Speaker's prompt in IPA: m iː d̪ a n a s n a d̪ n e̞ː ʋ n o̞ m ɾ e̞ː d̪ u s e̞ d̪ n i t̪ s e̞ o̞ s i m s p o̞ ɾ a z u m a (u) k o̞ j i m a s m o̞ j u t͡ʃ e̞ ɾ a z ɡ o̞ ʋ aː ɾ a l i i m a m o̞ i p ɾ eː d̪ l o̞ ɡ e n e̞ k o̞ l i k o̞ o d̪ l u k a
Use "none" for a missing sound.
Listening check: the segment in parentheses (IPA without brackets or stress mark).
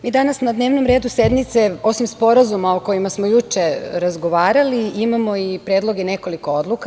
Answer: o